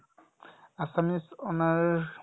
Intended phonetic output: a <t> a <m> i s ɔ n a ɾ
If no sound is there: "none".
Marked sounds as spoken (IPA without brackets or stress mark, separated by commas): s, m